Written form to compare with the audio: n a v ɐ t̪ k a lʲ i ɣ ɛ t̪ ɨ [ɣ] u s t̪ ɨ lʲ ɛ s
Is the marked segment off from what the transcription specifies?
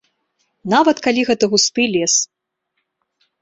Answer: no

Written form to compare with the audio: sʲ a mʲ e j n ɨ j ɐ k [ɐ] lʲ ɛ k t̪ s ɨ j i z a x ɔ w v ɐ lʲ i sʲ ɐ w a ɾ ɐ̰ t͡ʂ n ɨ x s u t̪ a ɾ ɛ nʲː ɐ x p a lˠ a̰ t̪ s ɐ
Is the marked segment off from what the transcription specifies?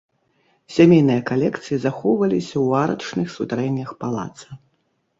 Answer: yes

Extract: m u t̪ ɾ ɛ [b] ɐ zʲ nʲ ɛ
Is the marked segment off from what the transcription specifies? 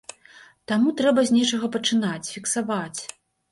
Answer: no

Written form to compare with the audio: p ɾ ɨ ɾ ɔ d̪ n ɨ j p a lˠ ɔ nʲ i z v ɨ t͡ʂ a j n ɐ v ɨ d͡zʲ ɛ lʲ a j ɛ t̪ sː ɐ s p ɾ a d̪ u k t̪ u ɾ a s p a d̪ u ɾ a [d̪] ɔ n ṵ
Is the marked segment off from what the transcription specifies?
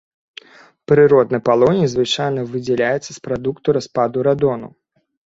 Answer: no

